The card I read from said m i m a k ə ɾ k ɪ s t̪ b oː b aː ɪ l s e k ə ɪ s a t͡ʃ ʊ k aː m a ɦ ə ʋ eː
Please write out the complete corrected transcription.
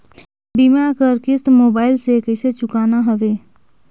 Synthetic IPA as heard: b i m a k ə ɾ k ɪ s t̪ m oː b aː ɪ l s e k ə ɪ s e t͡ʃ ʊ k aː n a ɦ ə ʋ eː